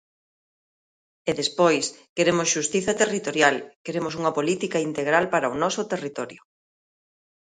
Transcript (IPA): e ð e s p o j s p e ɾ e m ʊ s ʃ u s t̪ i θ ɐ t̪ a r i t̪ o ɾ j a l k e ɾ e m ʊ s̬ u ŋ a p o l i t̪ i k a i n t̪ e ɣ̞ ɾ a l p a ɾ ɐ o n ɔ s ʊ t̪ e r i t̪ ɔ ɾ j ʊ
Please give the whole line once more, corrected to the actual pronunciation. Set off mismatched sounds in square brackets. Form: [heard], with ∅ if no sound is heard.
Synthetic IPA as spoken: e ð e s p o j s [k] e ɾ e m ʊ s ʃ u s t̪ i θ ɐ t̪ [e] r i t̪ o ɾ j a l k e ɾ e m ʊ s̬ u ŋ [ɐ] p o l i t̪ i k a i n t̪ e ɣ̞ ɾ a l p a ɾ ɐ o n ɔ s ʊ t̪ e r i t̪ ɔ ɾ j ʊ